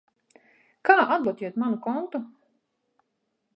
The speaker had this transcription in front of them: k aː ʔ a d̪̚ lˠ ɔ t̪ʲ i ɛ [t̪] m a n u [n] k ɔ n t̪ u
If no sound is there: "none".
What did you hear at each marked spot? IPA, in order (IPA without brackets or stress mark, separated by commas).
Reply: t̪, none